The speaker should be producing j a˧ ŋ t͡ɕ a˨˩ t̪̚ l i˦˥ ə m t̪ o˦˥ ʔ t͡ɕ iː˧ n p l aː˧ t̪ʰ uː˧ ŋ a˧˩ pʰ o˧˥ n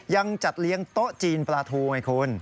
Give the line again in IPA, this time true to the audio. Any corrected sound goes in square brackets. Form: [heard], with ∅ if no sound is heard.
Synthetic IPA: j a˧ ŋ t͡ɕ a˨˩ t̪̚ l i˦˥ ə [ŋ] t̪ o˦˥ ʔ t͡ɕ iː˧ n p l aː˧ t̪ʰ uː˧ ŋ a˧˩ [kʰ] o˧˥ n